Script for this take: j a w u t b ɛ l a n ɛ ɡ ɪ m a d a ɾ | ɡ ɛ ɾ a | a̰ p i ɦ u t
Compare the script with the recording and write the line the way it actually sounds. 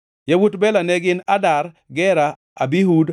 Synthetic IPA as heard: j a w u t b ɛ l a n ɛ ɡ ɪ n a d a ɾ | ɡ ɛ ɾ a | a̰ b i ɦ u d